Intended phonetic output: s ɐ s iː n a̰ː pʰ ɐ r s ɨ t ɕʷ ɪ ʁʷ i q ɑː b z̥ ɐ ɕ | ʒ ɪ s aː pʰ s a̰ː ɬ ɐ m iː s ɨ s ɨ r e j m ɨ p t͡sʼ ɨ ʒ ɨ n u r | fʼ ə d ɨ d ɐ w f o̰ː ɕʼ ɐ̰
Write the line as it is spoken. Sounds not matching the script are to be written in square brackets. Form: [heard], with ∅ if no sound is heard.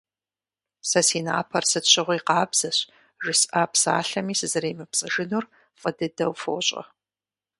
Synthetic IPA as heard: s ɐ s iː n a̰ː pʰ ɐ r s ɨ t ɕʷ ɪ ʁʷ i q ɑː b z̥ ɐ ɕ | ʒ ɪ s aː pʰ s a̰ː ɬ ɐ m iː s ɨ [z] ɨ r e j m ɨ p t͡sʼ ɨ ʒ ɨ n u r | fʼ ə d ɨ d ɐ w f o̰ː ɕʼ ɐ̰